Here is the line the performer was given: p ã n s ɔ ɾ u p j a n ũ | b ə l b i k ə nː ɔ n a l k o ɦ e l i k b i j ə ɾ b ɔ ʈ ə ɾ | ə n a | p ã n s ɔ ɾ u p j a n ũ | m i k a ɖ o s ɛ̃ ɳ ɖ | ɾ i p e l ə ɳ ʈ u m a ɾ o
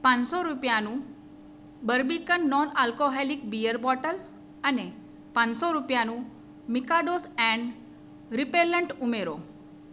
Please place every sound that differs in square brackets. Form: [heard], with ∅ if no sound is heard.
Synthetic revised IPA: p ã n s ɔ ɾ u p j a n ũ | b ə [ɾ] b i k ə nː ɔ n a l k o ɦ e l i k b i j ə ɾ b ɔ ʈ ə [l] | ə n [e] | p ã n s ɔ ɾ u p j a n ũ | m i k a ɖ o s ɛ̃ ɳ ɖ | ɾ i p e l ə ɳ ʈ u m [e] ɾ o

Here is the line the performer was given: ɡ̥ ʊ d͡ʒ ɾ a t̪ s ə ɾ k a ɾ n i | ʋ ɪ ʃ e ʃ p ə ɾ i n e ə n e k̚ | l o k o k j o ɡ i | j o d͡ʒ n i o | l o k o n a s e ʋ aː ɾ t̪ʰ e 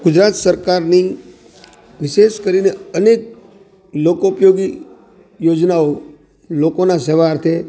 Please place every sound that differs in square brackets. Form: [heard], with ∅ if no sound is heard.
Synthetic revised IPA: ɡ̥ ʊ d͡ʒ ɾ a t̪ s ə ɾ k a ɾ n i | ʋ ɪ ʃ e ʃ [k] ə ɾ i n e ə n e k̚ | l o k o [p] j o ɡ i | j o d͡ʒ n [a] o | l o k o n a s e ʋ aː ɾ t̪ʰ e

